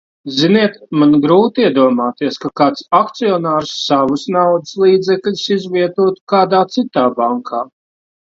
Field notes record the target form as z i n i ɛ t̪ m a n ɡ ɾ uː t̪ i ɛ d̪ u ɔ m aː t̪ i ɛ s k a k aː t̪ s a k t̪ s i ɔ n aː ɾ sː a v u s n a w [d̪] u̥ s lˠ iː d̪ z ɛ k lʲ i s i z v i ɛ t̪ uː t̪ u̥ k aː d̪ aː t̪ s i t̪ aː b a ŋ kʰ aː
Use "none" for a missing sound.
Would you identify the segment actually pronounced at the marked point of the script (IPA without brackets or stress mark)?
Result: d̪